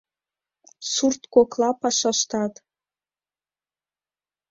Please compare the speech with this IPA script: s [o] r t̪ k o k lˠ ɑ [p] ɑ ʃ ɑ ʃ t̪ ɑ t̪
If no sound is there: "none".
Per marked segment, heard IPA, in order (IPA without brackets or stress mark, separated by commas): u, p